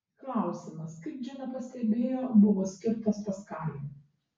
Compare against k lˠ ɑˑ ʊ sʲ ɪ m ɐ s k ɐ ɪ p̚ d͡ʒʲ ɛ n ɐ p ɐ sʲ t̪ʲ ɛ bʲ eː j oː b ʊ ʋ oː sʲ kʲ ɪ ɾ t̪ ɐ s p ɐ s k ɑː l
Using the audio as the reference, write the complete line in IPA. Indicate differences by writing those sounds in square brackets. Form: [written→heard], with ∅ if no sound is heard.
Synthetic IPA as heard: k lˠ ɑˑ ʊ sʲ ɪ m ɐ s k ɐ ɪ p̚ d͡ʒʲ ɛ n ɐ p ɐ sʲ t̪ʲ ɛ bʲ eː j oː b ʊ ʋ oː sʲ kʲ ɪ ɾ t̪ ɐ s p ɐ s k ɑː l

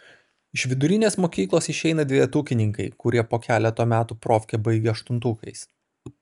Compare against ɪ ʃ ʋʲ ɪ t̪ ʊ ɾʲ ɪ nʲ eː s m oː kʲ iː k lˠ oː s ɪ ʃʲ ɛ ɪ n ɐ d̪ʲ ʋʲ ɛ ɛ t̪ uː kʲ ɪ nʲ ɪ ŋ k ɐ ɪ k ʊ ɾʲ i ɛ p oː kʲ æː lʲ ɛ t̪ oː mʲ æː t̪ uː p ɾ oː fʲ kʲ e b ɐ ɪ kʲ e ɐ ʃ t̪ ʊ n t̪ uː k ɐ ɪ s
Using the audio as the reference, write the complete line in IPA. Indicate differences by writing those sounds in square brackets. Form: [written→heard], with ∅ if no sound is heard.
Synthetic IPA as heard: ɪ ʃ ʋʲ ɪ [t̪→d̪] ʊ ɾʲ ɪ nʲ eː s m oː kʲ iː k lˠ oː s ɪ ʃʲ ɛ ɪ n ɐ d̪ʲ ʋʲ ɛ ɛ t̪ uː kʲ ɪ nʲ ɪ ŋ k ɐ ɪ k ʊ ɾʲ i ɛ p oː kʲ æː lʲ ɛ t̪ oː mʲ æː t̪ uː p ɾ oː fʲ kʲ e b ɐ ɪ [kʲ→ɡʲ] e ɐ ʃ t̪ ʊ n t̪ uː k ɐ ɪ s

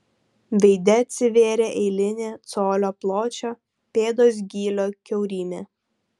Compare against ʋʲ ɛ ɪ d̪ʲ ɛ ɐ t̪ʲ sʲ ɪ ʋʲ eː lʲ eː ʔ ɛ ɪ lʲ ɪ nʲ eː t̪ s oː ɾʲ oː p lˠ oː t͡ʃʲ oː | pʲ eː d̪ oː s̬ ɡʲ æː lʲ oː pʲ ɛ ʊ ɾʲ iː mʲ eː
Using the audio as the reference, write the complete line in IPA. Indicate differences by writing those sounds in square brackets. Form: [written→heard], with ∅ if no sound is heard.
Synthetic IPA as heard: ʋʲ ɛ ɪ d̪ʲ ɛ ɐ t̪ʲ sʲ ɪ ʋʲ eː [lʲ→ɾʲ] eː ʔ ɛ ɪ lʲ ɪ nʲ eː t̪ s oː [ɾʲ→lʲ] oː p lˠ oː t͡ʃʲ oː | pʲ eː d̪ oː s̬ ɡʲ [æː→iː] lʲ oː [pʲ→kʲ] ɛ ʊ ɾʲ iː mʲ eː

